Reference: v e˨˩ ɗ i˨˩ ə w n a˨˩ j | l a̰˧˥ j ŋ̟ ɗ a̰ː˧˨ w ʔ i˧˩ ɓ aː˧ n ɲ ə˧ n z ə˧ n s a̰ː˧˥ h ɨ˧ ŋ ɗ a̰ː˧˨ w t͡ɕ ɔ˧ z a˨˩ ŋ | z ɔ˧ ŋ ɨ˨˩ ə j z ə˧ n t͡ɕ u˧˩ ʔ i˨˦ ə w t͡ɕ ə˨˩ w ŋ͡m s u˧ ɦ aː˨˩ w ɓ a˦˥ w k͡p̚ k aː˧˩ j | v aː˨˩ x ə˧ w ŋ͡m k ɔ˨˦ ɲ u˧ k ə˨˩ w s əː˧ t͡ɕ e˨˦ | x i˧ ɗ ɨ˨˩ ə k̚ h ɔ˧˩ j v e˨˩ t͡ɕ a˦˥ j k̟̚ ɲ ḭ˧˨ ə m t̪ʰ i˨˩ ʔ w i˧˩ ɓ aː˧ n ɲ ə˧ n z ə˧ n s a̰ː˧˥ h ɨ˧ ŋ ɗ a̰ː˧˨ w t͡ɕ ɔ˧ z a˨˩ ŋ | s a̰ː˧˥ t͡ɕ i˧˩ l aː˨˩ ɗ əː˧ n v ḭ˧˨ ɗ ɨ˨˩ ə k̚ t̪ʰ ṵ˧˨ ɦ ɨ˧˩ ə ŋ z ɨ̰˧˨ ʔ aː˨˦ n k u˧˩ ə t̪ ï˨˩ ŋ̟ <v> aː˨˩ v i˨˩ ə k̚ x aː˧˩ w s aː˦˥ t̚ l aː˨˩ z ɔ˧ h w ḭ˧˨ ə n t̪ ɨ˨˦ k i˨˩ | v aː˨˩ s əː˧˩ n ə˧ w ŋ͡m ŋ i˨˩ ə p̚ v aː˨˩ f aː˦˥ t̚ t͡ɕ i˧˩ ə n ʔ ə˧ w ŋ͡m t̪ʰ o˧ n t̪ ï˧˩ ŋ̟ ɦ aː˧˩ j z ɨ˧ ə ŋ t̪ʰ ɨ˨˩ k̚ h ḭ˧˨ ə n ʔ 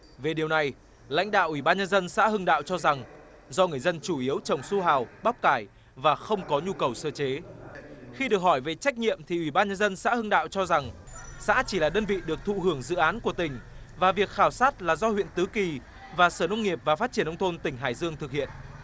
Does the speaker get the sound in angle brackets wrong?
no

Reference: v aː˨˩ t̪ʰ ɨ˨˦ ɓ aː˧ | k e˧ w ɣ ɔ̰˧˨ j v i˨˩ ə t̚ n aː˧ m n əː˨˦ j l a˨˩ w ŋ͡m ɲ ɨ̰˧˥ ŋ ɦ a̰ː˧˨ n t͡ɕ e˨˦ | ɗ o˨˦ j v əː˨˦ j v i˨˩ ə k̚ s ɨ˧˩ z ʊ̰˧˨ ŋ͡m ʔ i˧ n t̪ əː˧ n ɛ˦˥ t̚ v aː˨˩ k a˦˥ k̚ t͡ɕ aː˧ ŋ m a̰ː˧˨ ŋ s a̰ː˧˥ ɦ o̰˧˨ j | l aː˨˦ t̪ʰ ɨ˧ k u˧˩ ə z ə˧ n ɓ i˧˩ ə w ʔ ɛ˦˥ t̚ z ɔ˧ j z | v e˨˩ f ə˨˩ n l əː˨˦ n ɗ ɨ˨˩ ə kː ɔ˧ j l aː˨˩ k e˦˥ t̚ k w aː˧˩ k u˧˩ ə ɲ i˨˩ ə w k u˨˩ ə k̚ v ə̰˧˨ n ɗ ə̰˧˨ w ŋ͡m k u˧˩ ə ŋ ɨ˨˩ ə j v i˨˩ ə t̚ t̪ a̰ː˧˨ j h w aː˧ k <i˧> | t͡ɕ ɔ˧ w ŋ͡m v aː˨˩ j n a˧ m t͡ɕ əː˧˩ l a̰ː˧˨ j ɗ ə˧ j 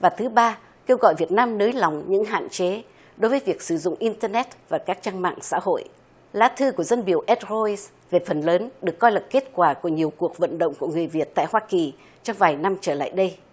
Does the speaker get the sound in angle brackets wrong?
yes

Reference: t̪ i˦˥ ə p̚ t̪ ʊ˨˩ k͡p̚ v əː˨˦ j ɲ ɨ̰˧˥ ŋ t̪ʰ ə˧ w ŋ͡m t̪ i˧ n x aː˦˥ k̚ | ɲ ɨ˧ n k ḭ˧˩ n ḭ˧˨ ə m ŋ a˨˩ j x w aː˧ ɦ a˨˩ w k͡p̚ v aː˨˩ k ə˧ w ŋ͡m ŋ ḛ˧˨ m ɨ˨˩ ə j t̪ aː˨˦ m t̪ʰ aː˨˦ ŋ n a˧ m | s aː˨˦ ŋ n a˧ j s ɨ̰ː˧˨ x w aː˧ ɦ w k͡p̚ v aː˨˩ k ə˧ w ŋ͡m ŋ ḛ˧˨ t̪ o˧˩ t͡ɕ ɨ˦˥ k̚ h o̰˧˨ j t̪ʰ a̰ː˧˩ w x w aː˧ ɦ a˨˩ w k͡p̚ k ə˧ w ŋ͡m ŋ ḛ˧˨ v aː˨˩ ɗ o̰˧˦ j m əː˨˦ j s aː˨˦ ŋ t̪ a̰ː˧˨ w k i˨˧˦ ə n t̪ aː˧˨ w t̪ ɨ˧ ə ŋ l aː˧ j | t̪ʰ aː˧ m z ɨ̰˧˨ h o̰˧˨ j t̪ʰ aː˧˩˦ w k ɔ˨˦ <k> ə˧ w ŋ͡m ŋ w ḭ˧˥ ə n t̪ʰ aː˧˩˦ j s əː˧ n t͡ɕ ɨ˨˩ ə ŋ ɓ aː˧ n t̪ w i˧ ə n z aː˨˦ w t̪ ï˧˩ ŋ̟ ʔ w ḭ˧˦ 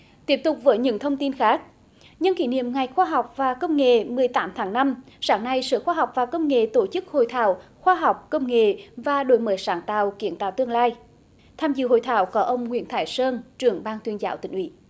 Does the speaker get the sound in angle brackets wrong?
yes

